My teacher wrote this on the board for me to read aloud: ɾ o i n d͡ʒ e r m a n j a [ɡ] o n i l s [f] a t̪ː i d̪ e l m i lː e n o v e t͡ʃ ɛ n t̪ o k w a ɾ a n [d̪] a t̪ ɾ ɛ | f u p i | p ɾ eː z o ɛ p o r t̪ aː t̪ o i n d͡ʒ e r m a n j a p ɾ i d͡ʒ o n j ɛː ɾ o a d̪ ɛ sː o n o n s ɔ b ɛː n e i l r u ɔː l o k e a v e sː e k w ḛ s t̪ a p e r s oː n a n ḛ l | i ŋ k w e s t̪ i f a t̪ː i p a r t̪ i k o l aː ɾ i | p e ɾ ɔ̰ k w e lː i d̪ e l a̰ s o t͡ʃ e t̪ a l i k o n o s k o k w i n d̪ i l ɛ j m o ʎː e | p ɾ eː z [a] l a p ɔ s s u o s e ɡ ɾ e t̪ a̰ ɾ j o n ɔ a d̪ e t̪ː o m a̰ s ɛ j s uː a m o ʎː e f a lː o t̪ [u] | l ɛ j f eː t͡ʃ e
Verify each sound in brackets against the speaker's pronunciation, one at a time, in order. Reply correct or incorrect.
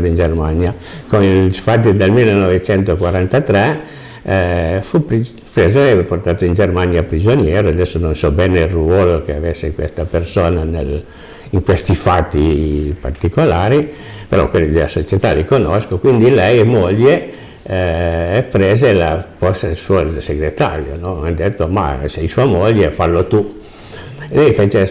incorrect: k, correct, incorrect: t̪, incorrect: e, correct

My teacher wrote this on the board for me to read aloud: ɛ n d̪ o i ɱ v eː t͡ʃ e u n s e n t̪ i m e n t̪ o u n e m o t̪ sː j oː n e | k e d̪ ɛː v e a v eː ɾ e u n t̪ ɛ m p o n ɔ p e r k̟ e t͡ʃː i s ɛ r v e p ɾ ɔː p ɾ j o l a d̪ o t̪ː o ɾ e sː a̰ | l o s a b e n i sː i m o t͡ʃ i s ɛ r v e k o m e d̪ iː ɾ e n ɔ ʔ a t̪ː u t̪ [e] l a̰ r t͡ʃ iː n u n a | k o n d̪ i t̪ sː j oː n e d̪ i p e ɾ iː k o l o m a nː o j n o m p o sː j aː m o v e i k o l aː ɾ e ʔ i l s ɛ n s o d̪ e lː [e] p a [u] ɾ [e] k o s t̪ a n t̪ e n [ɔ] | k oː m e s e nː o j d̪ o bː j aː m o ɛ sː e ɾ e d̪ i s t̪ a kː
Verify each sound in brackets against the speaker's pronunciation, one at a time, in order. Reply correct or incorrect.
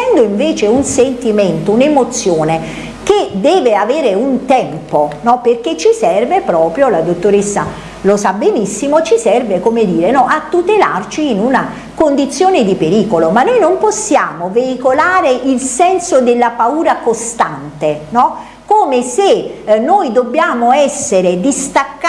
correct, incorrect: a, incorrect: uː, incorrect: a, correct

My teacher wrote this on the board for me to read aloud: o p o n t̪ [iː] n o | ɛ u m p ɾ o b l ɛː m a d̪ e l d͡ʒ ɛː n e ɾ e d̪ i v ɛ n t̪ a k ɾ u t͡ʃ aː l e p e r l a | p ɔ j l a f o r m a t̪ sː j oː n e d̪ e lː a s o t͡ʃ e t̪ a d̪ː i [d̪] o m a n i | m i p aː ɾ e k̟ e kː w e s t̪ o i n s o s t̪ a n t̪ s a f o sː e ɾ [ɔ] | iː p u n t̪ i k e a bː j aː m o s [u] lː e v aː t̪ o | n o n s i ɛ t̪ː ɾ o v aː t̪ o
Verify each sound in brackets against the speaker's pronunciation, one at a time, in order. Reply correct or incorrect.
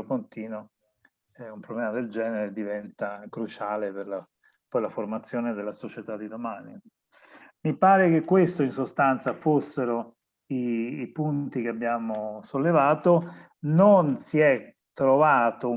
correct, correct, incorrect: o, incorrect: o

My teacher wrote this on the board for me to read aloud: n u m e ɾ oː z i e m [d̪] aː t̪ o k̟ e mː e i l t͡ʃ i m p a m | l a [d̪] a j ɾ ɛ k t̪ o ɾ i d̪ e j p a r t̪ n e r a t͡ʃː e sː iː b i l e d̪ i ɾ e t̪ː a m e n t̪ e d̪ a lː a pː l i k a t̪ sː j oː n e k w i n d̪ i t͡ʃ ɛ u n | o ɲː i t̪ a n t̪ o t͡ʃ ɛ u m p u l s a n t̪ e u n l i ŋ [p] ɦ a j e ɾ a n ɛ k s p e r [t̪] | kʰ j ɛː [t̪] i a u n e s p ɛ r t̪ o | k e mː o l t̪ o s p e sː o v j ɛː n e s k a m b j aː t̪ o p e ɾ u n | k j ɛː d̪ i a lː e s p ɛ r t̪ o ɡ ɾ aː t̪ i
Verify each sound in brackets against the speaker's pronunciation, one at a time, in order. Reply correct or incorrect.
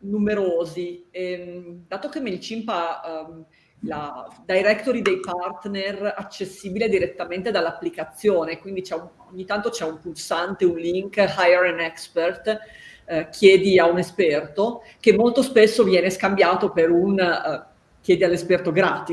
correct, correct, incorrect: k, correct, incorrect: d̪

